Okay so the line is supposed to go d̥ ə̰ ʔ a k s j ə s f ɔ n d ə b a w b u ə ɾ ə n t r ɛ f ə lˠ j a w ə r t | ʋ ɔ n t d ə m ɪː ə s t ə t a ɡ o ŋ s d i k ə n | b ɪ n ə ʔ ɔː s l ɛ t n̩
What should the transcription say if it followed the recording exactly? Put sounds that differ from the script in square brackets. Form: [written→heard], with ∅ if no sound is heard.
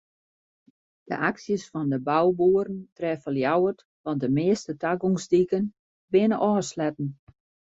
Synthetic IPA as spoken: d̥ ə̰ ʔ a k s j ə s f ɔ n d ə b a w b u ə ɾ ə n t r ɛ f ə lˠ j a w ə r t | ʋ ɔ n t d ə m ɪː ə s t ə t a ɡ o ŋ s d i k ə n | b ɪ n ə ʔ ɔː s l ɛ t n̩

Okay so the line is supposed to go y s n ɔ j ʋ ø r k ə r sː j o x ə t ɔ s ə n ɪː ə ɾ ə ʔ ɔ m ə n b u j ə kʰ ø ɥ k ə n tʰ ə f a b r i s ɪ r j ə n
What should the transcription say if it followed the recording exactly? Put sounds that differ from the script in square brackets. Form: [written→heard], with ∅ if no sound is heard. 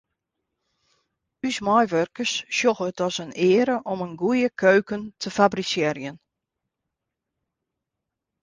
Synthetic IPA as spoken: y s [n→m] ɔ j ʋ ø r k ə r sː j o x ə t ɔ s ə n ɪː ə ɾ ə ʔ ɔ m ə n [b→ɡ] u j ə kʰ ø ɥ k ə n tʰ ə f a b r i s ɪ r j ə n

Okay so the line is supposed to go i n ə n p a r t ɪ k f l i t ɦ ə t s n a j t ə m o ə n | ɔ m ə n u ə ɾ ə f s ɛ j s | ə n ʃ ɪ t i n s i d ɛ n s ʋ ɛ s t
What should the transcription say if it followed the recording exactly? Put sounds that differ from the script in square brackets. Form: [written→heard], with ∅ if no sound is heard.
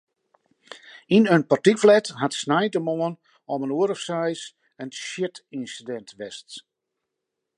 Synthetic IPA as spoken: i n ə n p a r t [ɪ→i] k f l [i→ɛ] t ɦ [ə→a] t s n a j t ə m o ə n | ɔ m ə n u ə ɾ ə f s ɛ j s | ə n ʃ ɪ t i n s i d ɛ n [s→t] ʋ ɛ s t

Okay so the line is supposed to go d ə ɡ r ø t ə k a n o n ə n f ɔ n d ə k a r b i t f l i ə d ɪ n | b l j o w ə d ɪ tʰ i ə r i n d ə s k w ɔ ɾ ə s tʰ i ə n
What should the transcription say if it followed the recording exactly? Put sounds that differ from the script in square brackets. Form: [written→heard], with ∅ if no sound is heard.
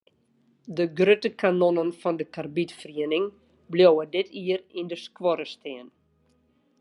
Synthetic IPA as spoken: d ə ɡ r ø t ə k a n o n ə n f ɔ n d ə k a r b i t f [l→r] i ə [d→n] ɪ [n→ŋ] | b l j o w ə d ɪ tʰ i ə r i n d ə s k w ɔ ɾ ə s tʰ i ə n

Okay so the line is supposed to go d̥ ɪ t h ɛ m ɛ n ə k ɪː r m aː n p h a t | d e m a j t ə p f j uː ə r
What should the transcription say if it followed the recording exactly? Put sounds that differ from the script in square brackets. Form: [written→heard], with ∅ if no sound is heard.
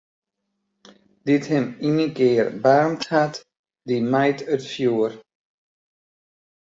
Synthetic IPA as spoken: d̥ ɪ t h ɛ m [ɛ→i] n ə k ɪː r [m→b] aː n [p→t] h a t | d [e→i] m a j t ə [p→t] f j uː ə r

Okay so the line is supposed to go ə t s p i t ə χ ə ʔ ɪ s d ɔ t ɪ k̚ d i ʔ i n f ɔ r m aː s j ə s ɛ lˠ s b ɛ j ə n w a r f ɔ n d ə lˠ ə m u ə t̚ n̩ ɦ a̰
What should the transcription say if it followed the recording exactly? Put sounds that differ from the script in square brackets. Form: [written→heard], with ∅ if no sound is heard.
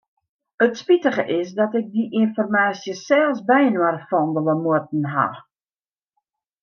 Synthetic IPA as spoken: ə t s p i t ə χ ə ʔ ɪ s d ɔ t ɪ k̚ d i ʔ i n f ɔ r m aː s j ə s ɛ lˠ s b ɛ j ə n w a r f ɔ n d ə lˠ ə m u ə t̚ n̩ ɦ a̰

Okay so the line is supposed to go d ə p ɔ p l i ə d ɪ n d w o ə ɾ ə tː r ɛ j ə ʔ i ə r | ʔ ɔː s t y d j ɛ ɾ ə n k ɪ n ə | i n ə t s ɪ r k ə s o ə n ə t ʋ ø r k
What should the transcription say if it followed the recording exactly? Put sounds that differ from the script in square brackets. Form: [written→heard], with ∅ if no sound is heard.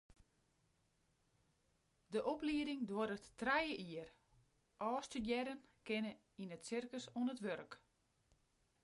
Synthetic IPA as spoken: d ə [p→ʔ] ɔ p l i ə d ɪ [n→ŋ] d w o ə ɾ ə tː r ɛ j ə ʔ i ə r | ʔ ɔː s t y d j ɛ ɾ ə n k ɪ n ə | i n ə t s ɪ r k ə s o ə n ə t ʋ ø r k

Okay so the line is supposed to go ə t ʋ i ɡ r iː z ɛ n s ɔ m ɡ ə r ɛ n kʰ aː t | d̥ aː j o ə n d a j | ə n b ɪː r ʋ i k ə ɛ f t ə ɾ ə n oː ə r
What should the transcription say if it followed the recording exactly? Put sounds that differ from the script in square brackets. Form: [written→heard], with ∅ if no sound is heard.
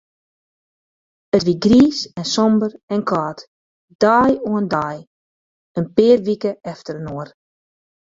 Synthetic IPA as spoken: ə t ʋ i ɡ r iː [z→s] ɛ n s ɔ m [ɡ→b] ə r ɛ n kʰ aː t | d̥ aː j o ə n d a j | ə n [b→p] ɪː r ʋ i k ə ɛ f t ə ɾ ə n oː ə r

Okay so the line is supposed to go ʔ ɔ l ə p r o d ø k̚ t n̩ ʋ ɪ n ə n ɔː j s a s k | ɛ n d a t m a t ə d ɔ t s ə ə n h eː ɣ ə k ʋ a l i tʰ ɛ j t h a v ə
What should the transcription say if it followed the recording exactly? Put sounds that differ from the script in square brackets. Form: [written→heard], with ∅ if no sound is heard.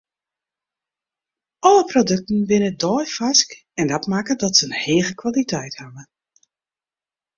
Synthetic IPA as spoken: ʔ ɔ l ə p r o d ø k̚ t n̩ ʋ ɪ n ə [n→d] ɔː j [s→f] a s k | ɛ n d a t m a [t→k] ə d ɔ t s ə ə n h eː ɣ ə k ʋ a l i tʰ ɛ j t h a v ə

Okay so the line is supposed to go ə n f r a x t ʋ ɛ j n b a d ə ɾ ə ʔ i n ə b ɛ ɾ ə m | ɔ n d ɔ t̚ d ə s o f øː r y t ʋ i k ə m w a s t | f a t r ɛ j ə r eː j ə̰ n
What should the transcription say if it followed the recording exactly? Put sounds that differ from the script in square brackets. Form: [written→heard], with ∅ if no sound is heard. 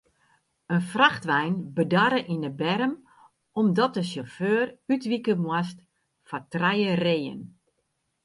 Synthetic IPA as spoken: ə n f r a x t ʋ ɛ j n b [a→ə] d [ə→a] ɾ ə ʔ i n ə b ɛ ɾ ə m | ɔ [n→m] d ɔ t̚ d ə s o f øː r y t ʋ i k ə m w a s t | f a t r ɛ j ə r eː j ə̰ n

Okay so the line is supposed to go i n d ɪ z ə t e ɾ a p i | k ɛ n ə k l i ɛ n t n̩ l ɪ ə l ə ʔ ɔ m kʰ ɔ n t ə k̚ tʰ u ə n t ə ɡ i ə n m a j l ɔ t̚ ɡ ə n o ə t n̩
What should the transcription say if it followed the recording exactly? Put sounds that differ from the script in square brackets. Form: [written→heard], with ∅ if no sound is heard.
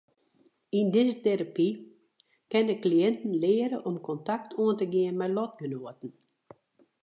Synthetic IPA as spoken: i n d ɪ z ə t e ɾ a p i | k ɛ n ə k l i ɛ n t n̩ l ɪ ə [l→ɾ] ə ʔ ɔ m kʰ ɔ n t [ə→a] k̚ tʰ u ə n t ə ɡ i ə n m [a→ɛ] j l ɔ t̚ ɡ ə n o ə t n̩

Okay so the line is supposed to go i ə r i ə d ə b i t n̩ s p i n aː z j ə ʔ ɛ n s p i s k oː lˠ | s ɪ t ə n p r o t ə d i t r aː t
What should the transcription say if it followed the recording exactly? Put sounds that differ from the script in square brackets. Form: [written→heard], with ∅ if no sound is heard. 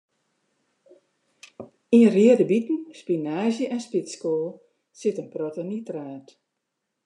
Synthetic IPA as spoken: i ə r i ə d ə b i t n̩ s p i n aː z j ə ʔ ɛ n s p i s k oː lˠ | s ɪ t ə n p r o t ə [d→n] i t r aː t

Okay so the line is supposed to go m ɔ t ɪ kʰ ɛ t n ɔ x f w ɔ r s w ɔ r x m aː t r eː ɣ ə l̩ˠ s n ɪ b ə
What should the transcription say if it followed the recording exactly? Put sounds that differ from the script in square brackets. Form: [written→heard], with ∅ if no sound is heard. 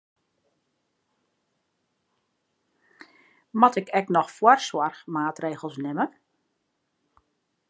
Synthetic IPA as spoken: m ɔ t ɪ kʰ ɛ [t→k] n ɔ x f w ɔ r s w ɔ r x m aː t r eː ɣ ə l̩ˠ s n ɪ [b→m] ə

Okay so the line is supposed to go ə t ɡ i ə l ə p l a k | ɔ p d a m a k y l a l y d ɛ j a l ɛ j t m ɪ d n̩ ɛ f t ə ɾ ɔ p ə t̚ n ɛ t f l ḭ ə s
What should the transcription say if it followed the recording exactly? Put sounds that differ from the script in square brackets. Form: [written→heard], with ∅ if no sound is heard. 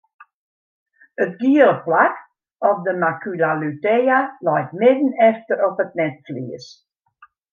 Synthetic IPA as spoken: ə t ɡ i ə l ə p l a k | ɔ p d [a→ə] m a k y l a l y [d→t] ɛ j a l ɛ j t m ɪ d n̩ ɛ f t ə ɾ ɔ p ə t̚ n ɛ t f l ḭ ə s

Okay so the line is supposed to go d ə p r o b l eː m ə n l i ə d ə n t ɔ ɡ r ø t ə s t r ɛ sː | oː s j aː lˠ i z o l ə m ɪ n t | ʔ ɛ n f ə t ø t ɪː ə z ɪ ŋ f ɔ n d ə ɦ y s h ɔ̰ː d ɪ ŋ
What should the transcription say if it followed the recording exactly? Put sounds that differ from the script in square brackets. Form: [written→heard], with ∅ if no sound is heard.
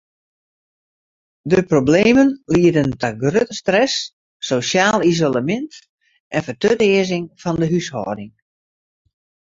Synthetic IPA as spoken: d ə p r o b l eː m ə n l i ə d ə n t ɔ ɡ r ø t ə s t r ɛ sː | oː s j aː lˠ i z o l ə m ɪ n t | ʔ ɛ n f ə t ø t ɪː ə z ɪ ŋ f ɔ n d ə ɦ y s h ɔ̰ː d ɪ ŋ

